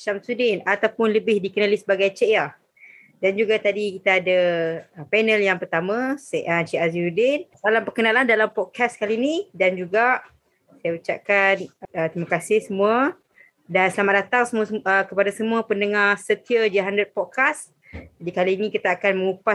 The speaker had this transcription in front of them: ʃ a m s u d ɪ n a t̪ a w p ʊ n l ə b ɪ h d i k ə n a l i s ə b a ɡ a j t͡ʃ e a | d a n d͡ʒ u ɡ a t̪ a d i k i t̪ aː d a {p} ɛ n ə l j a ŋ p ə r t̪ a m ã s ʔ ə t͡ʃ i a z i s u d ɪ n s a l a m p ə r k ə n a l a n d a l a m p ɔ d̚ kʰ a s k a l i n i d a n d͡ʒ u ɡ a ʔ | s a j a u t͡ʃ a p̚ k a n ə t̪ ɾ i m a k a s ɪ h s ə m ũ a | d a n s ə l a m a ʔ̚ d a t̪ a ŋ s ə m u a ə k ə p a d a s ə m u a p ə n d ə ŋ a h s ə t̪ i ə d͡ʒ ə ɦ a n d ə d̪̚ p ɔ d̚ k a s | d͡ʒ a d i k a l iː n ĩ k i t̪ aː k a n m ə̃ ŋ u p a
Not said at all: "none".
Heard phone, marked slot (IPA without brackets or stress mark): p